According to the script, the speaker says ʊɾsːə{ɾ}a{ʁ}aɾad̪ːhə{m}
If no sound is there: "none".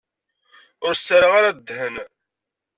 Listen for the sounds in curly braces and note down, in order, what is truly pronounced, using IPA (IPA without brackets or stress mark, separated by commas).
ɾ, ʁ, n